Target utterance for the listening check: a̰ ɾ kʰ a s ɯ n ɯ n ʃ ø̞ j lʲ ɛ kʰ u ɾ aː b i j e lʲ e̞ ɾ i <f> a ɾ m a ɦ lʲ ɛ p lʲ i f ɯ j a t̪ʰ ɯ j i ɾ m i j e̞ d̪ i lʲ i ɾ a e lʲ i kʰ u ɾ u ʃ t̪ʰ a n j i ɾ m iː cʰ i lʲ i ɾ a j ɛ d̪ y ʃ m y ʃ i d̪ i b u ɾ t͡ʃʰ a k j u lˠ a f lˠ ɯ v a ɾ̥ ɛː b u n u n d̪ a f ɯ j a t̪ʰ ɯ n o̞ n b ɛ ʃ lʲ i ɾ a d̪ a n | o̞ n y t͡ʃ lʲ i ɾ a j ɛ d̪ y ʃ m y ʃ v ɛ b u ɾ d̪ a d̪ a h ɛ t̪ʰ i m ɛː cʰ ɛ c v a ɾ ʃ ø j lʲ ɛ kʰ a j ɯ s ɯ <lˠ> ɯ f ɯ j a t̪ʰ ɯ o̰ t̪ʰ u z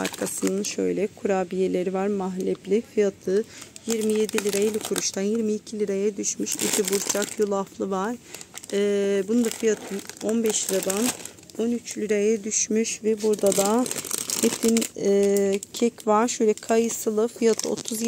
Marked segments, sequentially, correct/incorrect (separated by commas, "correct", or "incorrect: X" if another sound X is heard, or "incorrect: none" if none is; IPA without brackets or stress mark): incorrect: v, correct